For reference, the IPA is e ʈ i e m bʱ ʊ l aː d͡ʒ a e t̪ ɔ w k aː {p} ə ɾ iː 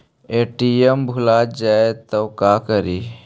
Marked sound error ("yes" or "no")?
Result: yes